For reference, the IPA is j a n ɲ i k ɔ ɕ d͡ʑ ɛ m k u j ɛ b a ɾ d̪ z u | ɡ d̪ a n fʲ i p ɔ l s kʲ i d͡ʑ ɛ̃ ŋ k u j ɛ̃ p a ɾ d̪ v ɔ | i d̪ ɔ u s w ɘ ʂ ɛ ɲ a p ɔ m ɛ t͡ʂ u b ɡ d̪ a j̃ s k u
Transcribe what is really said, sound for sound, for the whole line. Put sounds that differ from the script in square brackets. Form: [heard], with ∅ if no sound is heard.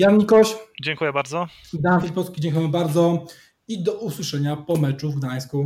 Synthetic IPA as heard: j a n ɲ i k ɔ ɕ d͡ʑ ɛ [ŋ] k u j ɛ b a ɾ d̪ z [ɔ] | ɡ d̪ a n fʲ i p ɔ l s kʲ i d͡ʑ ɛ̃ ŋ k u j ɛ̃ [b] a ɾ d̪ [z] ɔ | i d̪ ɔ u s w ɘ ʂ ɛ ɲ a p ɔ m ɛ t͡ʂ u [v] ɡ d̪ a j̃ s k u